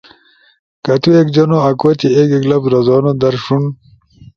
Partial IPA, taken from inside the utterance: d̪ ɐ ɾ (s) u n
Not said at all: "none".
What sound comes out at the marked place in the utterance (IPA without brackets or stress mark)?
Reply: ʂ